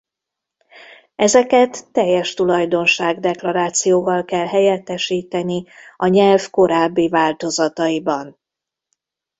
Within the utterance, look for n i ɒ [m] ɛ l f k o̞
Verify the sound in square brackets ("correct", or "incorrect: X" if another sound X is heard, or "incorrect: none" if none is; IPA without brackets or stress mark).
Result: incorrect: ɲ